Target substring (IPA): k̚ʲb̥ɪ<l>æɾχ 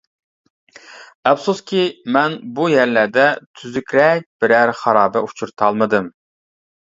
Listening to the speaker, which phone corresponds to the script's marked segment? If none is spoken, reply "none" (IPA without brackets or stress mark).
ɾ